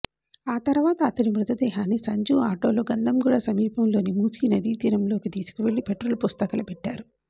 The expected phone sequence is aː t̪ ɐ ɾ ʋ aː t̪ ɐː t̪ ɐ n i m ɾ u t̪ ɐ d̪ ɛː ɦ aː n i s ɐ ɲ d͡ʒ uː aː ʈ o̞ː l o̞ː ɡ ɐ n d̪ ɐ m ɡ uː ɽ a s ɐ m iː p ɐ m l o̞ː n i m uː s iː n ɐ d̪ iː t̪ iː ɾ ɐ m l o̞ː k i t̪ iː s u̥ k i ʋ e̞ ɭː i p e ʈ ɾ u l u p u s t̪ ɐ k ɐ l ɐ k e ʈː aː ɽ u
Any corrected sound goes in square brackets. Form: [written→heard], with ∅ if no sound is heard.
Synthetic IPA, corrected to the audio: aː t̪ ɐ ɾ ʋ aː t̪ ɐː t̪ ɐ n i m ɾ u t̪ ɐ d̪ ɛː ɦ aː n i s ɐ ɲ d͡ʒ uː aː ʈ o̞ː l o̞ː ɡ ɐ n d̪ ɐ m ɡ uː ɽ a s ɐ m iː p ɐ m l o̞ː n i m uː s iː n ɐ d̪ iː t̪ iː ɾ ɐ m l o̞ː k i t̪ iː s u̥ k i ʋ e̞ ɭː i p e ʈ ɾ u l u p u s t̪ ɐ k ɐ l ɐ [k→p] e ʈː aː [ɽ→ɾ] u